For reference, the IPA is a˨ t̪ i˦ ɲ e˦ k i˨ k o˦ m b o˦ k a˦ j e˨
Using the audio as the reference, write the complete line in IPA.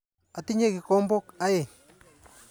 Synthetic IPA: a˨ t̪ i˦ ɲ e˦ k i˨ k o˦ m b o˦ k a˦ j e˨